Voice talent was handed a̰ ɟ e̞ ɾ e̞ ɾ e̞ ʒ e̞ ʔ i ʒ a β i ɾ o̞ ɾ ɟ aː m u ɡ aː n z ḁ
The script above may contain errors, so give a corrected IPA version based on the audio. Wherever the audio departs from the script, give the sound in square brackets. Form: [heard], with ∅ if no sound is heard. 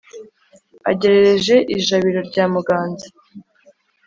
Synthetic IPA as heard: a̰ ɟ e̞ ɾ e̞ ɾ e̞ ʒ e̞ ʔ i ʒ a β i ɾ o̞ ɾ ɟ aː m u ɡ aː n z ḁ